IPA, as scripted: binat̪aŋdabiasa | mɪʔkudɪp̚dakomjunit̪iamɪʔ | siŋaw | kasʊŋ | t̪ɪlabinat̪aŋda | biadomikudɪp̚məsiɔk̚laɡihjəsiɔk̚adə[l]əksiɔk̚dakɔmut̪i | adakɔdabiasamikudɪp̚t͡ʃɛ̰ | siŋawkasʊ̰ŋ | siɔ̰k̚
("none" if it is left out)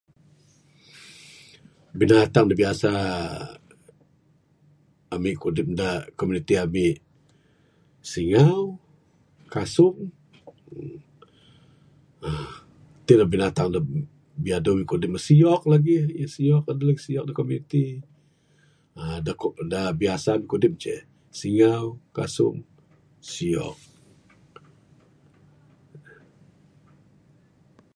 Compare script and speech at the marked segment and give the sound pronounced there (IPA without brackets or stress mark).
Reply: l